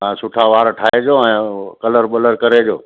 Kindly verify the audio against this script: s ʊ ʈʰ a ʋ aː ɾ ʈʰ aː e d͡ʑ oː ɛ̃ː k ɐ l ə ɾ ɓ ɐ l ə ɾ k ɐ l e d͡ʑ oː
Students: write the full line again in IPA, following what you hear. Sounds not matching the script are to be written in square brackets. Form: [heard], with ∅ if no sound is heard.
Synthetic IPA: s ʊ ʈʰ a ʋ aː ɾ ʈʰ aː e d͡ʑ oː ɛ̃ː k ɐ l ə ɾ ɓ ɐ l ə ɾ k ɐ [ɾ] e d͡ʑ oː